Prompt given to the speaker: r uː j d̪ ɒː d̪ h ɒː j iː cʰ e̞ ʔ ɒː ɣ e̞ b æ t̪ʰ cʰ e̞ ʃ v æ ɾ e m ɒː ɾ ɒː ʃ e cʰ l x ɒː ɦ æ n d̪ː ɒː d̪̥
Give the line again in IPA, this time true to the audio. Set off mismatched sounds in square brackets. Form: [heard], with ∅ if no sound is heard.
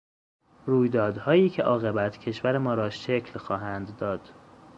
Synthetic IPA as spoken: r uː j d̪ ɒː d̪ h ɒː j iː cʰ e̞ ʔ ɒː ɣ e̞ b æ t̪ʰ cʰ e̞ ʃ v æ ɾ e m ɒː ɾ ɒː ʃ e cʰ l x ɒː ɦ æ n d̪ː ɒː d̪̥